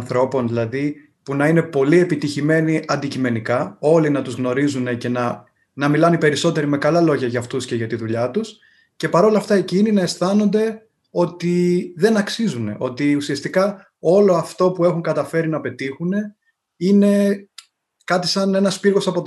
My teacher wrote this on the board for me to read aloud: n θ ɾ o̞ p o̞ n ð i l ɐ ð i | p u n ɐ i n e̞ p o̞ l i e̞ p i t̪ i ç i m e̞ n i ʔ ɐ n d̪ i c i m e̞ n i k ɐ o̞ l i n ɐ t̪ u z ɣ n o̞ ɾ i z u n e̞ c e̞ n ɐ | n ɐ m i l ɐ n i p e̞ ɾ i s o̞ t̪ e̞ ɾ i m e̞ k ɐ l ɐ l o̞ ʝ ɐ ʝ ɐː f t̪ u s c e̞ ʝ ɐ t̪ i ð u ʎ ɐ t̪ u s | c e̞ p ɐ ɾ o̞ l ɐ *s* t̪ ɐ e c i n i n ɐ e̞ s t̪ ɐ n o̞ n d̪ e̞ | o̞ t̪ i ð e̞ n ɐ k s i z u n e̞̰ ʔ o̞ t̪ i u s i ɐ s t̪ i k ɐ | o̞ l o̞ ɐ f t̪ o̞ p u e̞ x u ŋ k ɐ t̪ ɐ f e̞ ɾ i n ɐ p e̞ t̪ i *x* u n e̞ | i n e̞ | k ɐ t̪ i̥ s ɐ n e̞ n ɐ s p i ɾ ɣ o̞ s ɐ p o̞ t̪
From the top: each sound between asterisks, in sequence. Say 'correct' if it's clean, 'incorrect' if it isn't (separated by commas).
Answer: incorrect, correct